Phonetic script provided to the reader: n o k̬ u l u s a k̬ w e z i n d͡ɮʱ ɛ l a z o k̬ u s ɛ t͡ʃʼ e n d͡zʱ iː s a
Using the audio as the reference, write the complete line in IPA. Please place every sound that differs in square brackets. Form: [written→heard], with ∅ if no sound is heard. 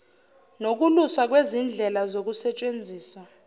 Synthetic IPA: n o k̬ u l u s a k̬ w e z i n d͡ɮʱ ɛ l a z o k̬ u s ɛ t͡ʃʼ e n d͡zʱ iː s a